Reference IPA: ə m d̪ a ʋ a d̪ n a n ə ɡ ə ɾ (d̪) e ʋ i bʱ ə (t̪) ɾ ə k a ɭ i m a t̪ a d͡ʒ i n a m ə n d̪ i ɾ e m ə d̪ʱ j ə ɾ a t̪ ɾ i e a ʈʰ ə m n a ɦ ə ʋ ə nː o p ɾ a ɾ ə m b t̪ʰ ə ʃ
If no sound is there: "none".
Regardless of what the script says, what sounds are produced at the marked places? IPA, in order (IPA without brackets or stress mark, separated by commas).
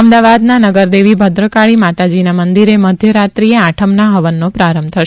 d̪, d̪